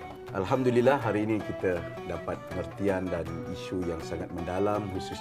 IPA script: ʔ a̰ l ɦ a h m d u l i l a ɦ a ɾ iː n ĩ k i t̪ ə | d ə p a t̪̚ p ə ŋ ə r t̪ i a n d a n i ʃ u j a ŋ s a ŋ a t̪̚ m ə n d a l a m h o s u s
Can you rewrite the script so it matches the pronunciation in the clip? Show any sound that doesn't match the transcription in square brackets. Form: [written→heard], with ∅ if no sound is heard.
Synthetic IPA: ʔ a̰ l ɦ a [h→∅] m d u l i l a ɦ a ɾ iː n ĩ k i t̪ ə | d [ə→a] p a t̪̚ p ə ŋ ə r t̪ i a n d a n i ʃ u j a ŋ s a ŋ a t̪̚ m ə n d a l a m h [o→u] s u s